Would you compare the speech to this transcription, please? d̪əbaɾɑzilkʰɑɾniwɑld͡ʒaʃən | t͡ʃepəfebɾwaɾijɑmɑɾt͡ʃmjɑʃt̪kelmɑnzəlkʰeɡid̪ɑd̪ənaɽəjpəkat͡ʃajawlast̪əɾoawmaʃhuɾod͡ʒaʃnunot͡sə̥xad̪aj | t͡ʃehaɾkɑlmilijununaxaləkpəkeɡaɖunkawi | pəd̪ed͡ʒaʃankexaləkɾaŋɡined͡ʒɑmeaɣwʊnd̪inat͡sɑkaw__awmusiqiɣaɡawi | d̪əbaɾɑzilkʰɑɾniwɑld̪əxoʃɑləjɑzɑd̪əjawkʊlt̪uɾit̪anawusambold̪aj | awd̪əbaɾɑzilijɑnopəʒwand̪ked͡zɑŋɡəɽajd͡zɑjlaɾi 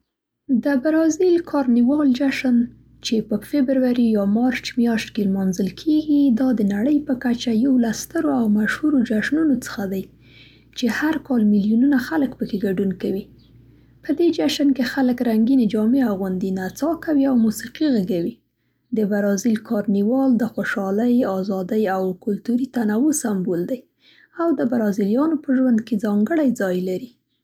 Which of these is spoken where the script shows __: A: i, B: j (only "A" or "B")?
A